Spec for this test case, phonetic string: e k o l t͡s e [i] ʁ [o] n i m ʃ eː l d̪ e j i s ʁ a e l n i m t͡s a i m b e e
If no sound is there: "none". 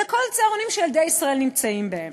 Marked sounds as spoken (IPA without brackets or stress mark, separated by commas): a, o